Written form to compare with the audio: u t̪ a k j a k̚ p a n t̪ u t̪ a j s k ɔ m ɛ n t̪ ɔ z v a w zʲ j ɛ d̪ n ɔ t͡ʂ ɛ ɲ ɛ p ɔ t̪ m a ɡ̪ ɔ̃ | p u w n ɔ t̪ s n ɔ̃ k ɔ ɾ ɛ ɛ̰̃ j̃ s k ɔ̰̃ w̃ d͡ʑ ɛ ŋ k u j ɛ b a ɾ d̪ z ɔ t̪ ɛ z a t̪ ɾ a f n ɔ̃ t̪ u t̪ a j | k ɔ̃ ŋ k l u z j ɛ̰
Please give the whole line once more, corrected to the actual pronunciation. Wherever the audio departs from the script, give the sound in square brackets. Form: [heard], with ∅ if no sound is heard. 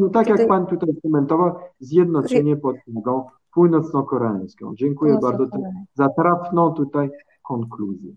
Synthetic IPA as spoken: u t̪ a k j a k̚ p a n t̪ u t̪ a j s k ɔ m ɛ n t̪ ɔ [∅] v a w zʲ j ɛ d̪ n ɔ t͡ʂ ɛ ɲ ɛ p ɔ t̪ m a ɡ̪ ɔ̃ | p u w n ɔ t̪ s n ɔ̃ k ɔ ɾ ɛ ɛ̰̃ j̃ s k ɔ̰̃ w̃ d͡ʑ ɛ ŋ k u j ɛ b a ɾ d̪ z ɔ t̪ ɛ z a t̪ ɾ a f n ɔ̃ t̪ u t̪ a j | k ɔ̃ ŋ k l u z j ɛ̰